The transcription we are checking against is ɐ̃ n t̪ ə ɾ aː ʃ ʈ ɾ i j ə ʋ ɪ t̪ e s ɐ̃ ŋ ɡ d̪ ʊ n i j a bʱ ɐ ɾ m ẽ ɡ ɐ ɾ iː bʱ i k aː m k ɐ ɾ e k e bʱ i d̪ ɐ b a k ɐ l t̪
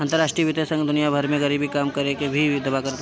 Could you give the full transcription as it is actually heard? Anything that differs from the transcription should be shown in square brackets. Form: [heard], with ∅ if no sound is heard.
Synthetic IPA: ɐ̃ n t̪ ə ɾ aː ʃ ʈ ɾ i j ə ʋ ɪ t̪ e s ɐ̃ ŋ ɡ d̪ ʊ n i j a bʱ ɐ ɾ m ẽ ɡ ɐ ɾ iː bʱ i k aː m k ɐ ɾ e k e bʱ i d̪ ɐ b a k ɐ [ɾ] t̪